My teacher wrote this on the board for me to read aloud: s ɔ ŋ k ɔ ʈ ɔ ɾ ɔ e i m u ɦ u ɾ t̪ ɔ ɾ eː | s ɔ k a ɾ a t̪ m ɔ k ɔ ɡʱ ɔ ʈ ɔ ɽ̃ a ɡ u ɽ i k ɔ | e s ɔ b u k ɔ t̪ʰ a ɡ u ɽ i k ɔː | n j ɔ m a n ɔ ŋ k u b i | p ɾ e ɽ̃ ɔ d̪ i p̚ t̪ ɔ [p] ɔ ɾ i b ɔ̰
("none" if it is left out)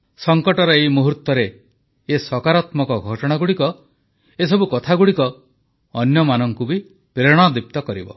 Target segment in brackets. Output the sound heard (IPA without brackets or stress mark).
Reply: k